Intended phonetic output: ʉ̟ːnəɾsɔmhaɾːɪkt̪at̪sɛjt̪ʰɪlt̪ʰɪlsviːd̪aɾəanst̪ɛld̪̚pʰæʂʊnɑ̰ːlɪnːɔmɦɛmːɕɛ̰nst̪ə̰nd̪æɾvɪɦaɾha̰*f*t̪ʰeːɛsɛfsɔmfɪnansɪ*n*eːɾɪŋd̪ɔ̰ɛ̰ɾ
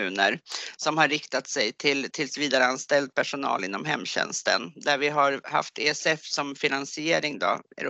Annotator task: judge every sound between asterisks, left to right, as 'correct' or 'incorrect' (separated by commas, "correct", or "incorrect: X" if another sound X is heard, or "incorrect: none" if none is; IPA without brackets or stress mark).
correct, incorrect: none